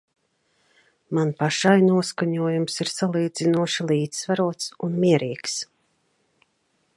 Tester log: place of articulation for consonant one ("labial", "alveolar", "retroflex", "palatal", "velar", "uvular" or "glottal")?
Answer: labial